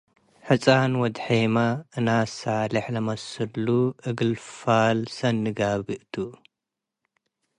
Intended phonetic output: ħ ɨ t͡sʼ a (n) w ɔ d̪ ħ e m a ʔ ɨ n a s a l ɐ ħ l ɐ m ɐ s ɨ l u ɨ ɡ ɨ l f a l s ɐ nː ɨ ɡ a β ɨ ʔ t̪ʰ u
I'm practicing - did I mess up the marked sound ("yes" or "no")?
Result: no